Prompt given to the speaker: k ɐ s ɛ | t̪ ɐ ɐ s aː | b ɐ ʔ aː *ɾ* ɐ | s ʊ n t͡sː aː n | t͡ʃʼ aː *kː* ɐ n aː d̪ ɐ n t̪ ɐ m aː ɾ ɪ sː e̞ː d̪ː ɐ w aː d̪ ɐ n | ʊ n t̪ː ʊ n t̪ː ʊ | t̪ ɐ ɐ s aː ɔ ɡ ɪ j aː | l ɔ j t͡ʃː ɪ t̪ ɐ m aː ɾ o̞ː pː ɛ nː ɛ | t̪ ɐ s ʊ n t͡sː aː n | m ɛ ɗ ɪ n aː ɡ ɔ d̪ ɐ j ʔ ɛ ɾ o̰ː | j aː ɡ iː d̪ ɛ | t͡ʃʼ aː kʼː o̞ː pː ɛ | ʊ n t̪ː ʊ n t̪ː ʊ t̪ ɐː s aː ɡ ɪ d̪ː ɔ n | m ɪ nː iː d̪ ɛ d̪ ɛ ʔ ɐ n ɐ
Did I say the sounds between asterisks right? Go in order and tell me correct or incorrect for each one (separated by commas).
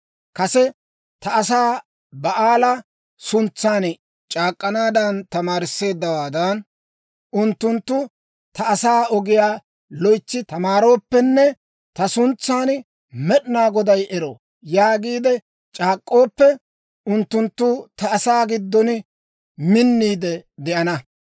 incorrect, incorrect